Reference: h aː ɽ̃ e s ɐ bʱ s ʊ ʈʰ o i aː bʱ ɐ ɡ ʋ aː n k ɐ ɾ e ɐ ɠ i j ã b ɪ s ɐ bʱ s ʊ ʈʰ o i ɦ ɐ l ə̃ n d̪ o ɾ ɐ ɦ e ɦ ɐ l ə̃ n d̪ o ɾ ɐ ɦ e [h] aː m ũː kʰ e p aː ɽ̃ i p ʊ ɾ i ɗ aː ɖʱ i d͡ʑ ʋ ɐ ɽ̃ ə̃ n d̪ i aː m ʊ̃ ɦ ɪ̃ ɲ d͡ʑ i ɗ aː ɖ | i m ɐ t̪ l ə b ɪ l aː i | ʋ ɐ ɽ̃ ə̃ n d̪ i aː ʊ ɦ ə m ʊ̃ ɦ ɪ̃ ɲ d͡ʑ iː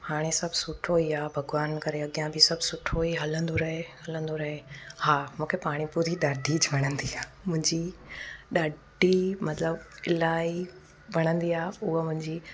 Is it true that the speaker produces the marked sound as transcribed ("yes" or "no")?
yes